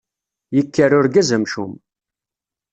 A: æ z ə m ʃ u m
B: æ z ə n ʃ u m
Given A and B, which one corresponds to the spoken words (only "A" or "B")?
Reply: A